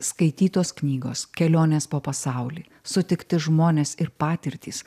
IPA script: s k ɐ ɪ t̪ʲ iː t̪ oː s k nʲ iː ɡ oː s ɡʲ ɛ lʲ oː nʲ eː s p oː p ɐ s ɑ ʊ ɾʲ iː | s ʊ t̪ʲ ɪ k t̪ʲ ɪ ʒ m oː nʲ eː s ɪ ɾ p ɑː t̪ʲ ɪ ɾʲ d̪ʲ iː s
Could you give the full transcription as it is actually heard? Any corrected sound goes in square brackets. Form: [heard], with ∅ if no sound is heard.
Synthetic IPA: s k ɐ ɪ t̪ʲ iː t̪ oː s k nʲ iː ɡ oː s [kʲ] ɛ lʲ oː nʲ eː s p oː p ɐ s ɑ ʊ [lʲ] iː | s ʊ t̪ʲ ɪ k t̪ʲ ɪ ʒ m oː nʲ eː s ɪ ɾ p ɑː t̪ʲ ɪ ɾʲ [t̪ʲ] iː s